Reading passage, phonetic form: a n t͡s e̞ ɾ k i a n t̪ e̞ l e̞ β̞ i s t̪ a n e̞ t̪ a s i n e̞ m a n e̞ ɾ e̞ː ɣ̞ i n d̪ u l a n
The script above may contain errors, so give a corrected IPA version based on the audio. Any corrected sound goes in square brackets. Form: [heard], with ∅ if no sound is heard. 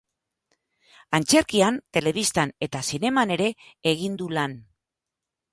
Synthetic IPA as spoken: a n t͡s e̞ ɾ k i a n t̪ e̞ l e̞ β̞ i s t̪ a n e̞ t̪ a s i n e̞ m a n e̞ ɾ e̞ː ɣ̞ i n d̪ u l a n